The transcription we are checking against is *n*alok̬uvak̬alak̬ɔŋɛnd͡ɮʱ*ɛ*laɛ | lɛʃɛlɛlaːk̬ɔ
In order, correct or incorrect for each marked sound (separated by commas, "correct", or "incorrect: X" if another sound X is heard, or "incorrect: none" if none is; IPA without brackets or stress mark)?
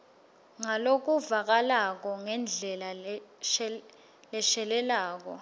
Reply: incorrect: ŋ, correct